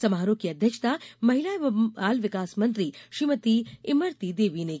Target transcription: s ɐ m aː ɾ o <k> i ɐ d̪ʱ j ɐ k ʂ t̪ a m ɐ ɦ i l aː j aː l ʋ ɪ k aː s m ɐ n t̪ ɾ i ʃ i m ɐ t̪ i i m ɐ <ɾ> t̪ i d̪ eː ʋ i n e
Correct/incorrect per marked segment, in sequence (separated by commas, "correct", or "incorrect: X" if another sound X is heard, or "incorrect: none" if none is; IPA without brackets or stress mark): correct, correct